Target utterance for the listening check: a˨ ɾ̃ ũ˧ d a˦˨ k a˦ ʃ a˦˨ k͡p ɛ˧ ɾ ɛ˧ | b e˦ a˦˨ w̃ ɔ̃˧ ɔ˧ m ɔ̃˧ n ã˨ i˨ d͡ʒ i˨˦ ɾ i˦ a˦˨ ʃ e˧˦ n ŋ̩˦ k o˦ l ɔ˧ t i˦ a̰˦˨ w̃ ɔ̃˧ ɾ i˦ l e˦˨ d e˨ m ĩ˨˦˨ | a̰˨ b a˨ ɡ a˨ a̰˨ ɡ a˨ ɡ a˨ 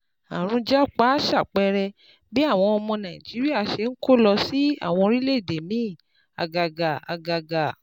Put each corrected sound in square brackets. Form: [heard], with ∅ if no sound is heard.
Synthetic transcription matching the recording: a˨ ɾ̃ ũ˧ [d͡ʒ] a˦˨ [k͡p] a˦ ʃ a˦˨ k͡p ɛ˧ ɾ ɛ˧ | b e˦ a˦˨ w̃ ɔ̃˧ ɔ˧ m ɔ̃˧ n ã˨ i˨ d͡ʒ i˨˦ ɾ i˦ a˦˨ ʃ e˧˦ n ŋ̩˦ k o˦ l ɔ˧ [s] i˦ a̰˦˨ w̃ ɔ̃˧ ɾ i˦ l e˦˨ d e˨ m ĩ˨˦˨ | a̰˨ [ɡ] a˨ ɡ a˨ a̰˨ ɡ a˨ ɡ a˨